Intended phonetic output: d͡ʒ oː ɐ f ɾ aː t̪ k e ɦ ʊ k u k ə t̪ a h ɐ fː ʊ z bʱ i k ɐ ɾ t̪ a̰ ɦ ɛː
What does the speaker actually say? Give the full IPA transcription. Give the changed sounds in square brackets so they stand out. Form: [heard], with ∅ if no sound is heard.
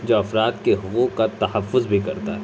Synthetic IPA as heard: d͡ʒ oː ɐ f ɾ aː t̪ k e ɦ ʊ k u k [a] t̪ [ɐ] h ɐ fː ʊ z bʱ i k ɐ ɾ t̪ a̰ ɦ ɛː